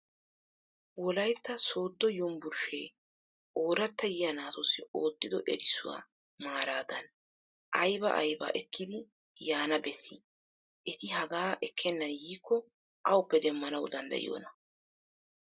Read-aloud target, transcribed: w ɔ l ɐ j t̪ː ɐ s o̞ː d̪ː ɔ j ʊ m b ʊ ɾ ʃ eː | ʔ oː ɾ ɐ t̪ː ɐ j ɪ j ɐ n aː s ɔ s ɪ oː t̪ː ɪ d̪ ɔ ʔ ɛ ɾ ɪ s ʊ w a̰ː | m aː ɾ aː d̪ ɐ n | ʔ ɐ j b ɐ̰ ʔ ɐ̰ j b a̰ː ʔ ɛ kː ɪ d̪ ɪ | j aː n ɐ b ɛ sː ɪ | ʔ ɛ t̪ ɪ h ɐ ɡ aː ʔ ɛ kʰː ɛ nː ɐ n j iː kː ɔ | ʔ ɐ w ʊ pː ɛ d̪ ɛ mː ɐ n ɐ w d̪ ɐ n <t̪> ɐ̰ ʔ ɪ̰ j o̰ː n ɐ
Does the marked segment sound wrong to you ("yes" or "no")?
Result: yes